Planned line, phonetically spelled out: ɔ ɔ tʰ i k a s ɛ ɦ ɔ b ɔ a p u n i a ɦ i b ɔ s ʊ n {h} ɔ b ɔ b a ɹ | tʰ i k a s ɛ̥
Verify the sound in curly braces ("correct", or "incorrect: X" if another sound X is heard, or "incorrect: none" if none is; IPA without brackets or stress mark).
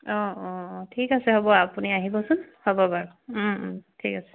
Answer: correct